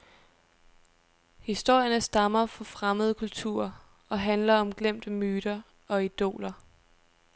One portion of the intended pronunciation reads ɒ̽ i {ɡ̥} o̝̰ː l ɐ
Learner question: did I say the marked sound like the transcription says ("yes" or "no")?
no